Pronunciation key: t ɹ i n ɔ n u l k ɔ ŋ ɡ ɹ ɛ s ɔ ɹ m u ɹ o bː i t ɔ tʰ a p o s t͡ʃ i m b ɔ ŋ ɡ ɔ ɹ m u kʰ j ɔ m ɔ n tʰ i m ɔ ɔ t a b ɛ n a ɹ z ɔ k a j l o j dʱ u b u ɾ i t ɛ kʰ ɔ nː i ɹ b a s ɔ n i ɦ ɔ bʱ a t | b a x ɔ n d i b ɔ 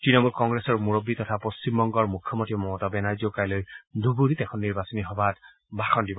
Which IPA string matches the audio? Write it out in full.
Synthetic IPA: t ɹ i n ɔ m u l k ɔ ŋ ɡ ɹ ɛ s ɔ ɹ m u ɹ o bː i t ɔ tʰ a p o s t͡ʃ i m b ɔ ŋ ɡ ɔ ɹ m u kʰ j ɔ m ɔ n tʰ i m ɔ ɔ t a b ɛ n a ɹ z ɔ k a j l o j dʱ u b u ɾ i t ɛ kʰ ɔ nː i ɹ b a s ɔ n i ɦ ɔ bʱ a t | b a x ɔ n d i b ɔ